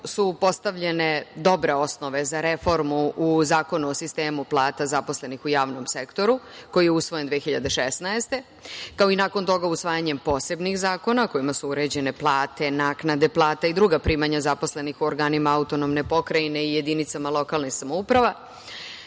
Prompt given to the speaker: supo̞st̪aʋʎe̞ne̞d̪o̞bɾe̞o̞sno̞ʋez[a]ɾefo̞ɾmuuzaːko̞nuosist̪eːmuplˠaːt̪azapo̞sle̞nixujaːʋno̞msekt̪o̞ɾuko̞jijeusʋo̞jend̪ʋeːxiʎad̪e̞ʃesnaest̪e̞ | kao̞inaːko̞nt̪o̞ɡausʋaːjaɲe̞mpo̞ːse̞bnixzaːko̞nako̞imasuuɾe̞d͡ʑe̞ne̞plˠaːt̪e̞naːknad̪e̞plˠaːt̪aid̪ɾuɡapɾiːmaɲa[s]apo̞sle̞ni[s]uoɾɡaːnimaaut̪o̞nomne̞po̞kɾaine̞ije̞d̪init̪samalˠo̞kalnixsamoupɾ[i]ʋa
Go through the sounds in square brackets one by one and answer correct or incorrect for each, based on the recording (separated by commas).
correct, incorrect, incorrect, incorrect